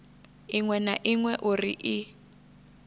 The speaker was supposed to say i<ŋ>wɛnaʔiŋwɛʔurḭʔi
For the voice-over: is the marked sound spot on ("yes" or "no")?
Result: yes